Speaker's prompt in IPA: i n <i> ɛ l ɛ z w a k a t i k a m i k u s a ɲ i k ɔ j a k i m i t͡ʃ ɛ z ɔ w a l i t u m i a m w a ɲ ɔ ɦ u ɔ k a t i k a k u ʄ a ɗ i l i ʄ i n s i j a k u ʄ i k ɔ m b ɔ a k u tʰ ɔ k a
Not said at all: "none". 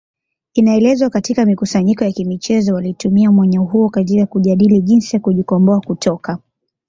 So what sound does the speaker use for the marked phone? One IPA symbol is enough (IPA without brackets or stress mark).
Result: a